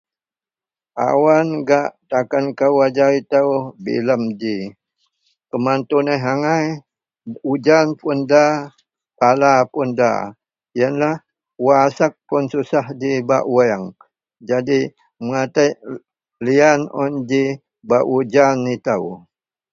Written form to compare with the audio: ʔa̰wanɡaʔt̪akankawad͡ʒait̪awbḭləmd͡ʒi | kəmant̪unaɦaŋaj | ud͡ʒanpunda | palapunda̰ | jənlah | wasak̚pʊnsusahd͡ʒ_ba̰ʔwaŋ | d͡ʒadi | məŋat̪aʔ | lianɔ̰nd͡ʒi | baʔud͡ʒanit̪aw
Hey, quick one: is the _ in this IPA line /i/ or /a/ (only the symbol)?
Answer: i